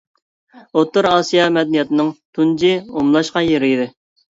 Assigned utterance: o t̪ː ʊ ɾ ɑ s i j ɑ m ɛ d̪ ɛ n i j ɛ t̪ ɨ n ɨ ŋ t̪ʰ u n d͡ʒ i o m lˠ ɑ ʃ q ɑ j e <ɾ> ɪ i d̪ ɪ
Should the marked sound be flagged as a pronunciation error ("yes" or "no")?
no